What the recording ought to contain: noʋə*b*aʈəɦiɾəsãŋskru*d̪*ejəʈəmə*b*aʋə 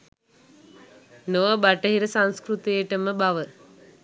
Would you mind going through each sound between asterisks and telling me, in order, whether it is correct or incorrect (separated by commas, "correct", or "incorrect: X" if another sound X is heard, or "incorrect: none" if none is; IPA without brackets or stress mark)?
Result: correct, incorrect: t̪, correct